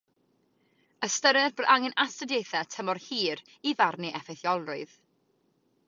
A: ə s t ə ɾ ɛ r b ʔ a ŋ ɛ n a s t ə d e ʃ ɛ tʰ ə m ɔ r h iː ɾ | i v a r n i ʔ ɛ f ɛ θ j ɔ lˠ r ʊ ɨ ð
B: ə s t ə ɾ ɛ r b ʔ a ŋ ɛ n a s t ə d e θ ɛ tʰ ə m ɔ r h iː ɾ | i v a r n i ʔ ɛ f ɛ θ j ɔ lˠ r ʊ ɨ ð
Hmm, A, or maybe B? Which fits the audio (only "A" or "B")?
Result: B